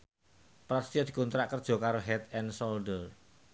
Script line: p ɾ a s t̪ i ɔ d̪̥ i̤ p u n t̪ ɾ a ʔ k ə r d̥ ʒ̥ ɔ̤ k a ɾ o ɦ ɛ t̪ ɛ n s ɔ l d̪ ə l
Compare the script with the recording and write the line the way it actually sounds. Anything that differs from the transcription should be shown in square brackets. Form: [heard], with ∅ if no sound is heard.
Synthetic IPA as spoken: p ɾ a s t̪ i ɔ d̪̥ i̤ [k] u n t̪ ɾ a ʔ k ə r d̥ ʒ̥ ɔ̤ k a ɾ o ɦ ɛ t̪ ɛ n s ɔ l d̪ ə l